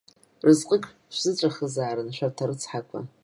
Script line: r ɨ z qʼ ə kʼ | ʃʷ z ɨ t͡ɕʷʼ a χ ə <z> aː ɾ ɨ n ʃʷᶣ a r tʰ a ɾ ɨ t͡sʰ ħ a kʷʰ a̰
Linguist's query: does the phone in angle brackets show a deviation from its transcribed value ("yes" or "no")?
no